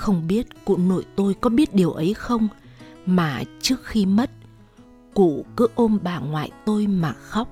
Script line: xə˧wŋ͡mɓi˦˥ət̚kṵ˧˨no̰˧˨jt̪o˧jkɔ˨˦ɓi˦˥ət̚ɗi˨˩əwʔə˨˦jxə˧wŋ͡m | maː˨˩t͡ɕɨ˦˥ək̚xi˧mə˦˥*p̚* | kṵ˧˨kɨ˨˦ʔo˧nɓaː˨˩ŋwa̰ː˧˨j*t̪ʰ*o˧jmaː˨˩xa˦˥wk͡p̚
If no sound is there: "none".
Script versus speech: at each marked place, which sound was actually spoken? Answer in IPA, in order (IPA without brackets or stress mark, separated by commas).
t̚, t̪